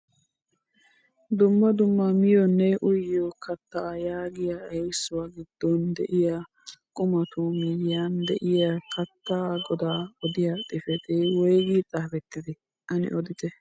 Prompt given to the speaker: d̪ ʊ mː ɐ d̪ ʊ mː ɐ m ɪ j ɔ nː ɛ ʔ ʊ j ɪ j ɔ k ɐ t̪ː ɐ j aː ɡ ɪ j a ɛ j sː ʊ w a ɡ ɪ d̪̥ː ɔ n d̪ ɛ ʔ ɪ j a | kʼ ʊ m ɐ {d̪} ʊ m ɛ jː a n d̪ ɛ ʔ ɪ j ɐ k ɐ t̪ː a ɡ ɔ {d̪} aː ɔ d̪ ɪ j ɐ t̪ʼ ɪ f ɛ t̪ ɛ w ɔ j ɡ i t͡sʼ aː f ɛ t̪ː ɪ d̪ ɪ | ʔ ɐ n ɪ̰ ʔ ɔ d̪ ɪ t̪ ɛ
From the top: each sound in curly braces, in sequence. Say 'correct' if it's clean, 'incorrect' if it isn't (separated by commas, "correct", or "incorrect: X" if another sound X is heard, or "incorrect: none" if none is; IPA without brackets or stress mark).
incorrect: t̪, correct